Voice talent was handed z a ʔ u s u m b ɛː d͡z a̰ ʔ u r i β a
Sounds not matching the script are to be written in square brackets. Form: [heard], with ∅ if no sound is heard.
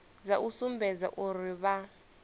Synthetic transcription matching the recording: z a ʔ u s u m b [ɛ] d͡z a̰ ʔ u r i β a